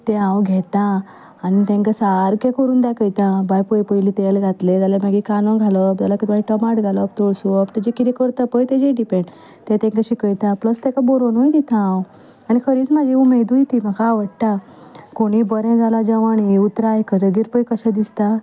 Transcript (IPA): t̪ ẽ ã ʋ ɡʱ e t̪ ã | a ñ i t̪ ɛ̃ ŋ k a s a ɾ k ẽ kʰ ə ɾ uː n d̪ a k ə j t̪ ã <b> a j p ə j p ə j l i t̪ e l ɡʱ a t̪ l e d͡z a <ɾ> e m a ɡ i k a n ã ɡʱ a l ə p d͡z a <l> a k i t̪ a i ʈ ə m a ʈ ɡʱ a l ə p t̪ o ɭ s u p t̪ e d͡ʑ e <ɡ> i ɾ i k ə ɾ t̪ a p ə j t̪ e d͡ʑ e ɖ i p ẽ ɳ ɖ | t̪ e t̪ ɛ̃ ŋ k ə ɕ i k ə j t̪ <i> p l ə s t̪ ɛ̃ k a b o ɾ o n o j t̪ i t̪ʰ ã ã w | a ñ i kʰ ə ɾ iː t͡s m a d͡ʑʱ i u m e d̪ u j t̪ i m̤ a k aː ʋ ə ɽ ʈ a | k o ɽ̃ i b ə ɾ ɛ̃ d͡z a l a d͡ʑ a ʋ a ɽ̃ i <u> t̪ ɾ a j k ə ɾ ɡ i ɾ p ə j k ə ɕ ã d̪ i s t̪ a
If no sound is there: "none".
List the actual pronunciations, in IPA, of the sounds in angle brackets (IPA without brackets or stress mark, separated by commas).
b, l, l, k, a, u